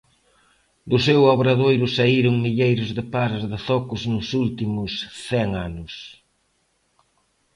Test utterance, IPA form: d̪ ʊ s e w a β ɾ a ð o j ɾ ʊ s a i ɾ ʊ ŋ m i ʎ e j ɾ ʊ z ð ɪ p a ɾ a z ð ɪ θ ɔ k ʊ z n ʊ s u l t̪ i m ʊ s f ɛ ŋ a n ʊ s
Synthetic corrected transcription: d̪ ʊ s e w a β ɾ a ð o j ɾ ʊ s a i ɾ ʊ ŋ m i ʎ e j ɾ ʊ z ð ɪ p a ɾ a z ð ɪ θ ɔ k ʊ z n ʊ s u l t̪ i m ʊ s θ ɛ ŋ a n ʊ s